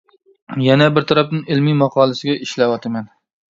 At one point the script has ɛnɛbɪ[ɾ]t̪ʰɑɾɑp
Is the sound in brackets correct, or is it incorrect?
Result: correct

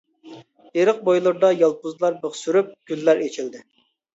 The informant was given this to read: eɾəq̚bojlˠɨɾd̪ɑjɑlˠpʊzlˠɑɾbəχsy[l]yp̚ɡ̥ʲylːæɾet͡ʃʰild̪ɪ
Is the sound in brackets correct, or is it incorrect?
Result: incorrect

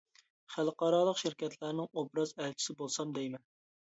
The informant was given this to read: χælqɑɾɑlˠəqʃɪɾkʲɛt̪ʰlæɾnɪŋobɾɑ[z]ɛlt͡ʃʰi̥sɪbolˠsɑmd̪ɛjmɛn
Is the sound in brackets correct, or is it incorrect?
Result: correct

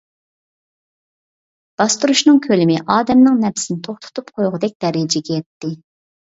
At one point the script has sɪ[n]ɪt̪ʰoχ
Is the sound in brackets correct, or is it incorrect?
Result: correct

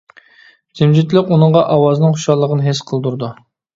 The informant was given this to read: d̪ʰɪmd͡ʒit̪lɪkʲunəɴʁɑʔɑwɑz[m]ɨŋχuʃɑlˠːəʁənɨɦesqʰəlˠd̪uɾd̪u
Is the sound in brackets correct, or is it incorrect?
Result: incorrect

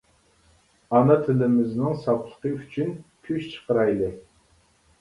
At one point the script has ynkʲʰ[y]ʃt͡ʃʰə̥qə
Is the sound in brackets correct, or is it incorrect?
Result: correct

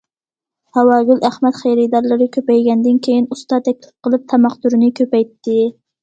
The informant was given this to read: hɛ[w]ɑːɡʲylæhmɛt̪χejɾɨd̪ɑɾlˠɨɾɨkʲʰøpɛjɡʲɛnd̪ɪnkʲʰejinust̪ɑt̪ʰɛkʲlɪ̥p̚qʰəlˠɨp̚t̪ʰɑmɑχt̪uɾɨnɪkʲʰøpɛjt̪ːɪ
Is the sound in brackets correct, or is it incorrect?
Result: correct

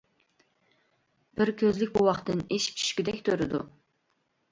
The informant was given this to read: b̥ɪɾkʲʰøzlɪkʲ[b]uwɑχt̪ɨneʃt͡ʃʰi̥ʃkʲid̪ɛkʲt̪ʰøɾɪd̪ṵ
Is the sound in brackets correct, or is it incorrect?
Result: correct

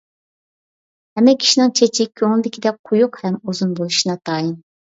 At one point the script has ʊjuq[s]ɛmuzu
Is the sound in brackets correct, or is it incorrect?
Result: incorrect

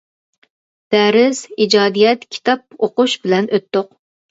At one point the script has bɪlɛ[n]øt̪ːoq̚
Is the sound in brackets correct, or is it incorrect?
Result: correct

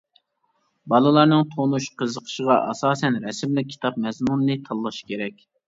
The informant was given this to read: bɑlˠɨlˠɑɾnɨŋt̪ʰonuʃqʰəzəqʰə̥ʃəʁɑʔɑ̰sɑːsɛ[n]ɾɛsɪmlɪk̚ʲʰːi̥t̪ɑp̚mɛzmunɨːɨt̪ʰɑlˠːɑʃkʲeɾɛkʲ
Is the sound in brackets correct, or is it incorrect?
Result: correct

